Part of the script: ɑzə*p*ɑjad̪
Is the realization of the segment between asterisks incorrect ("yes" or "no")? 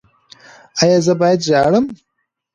yes